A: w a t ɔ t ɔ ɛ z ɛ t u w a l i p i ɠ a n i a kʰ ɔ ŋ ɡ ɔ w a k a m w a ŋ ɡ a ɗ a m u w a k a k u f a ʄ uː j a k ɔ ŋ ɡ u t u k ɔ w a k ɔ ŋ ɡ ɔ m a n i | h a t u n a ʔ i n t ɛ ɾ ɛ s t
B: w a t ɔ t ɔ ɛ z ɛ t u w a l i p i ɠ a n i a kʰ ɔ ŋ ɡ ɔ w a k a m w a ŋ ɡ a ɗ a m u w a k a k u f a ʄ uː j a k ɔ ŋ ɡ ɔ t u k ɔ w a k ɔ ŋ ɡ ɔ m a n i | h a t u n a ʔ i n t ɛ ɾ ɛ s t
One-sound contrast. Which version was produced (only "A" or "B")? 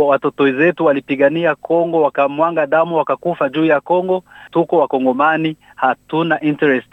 B